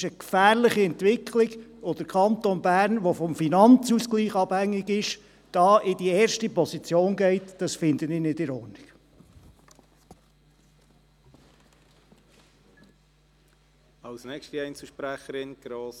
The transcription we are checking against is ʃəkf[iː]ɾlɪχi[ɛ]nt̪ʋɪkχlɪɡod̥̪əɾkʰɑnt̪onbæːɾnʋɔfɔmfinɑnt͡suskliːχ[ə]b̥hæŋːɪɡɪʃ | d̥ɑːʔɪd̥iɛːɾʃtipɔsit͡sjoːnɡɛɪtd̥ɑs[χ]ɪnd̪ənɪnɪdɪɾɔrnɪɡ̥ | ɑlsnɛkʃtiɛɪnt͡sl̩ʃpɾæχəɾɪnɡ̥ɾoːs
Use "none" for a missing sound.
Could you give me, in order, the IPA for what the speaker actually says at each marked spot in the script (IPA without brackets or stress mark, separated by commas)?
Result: æː, ɛ, ɑ, f